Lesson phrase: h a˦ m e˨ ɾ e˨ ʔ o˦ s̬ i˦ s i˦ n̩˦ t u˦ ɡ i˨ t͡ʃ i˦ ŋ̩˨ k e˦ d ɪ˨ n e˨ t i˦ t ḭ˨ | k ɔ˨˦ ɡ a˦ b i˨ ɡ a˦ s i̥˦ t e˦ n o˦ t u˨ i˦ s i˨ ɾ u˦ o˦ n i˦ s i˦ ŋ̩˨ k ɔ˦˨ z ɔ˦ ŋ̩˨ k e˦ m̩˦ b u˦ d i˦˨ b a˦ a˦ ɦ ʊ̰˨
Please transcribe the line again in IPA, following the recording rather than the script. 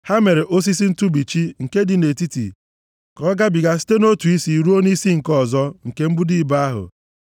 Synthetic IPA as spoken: h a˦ m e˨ ɾ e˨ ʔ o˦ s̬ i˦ s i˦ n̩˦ t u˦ b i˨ t͡ʃ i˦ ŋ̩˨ k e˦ d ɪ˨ n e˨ t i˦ t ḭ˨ | k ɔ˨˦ ɡ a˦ b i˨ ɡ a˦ s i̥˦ t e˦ n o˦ t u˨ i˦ s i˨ ɾ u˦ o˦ n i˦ s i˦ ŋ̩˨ k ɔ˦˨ z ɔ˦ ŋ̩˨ k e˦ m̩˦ b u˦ d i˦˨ b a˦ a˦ ɦ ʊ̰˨